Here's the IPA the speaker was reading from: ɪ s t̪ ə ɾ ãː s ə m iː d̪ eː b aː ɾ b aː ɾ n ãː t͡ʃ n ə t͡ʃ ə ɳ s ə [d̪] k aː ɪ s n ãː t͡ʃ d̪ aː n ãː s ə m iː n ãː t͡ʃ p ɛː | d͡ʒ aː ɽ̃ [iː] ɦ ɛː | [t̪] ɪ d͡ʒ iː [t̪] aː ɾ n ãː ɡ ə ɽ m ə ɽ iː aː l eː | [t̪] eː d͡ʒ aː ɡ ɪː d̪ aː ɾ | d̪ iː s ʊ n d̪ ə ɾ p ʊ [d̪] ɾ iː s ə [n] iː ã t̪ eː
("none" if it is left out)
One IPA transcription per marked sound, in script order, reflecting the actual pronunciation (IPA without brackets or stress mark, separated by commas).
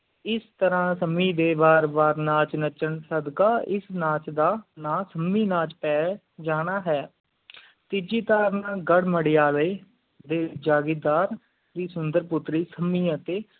d̪, aː, t̪, t̪, d̪, t̪, m